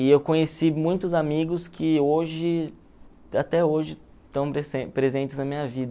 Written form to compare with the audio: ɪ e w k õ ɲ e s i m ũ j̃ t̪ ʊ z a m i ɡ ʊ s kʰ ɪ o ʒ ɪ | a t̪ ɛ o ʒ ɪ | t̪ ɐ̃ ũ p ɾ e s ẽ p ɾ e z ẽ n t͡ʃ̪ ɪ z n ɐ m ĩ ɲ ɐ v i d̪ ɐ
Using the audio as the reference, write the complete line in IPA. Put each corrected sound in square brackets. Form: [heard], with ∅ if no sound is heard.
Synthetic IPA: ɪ e w k õ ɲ e s i m ũ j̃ t̪ ʊ z a m i ɡ ʊ s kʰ ɪ o ʒ ɪ | a t̪ ɛ o ʒ ɪ | t̪ ɐ̃ [w̃] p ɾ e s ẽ p ɾ e z ẽ n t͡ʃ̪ ɪ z n ɐ m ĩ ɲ ɐ v i d̪ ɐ